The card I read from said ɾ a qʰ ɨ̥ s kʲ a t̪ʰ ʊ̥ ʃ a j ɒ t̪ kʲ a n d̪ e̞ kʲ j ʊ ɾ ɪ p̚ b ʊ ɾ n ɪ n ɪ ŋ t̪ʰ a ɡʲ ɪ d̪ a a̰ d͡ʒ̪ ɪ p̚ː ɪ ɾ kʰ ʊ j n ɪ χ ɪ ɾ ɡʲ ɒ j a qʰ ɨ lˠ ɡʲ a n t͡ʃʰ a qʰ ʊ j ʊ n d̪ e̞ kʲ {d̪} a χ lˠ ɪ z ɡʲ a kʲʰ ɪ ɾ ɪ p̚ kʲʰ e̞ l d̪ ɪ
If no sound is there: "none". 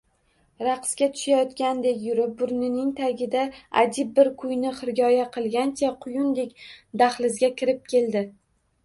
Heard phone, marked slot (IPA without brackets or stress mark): d̪